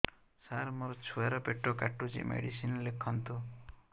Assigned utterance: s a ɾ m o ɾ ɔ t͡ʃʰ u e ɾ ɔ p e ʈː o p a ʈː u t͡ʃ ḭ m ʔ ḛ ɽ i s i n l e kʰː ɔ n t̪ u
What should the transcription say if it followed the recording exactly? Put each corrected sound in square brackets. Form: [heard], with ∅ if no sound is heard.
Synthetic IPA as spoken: s a ɾ m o ɾ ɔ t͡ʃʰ u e ɾ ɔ p e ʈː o [k] a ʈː u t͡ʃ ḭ m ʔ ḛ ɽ i s i n l e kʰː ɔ n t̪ u